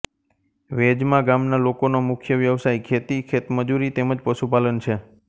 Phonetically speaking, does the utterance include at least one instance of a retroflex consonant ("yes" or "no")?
no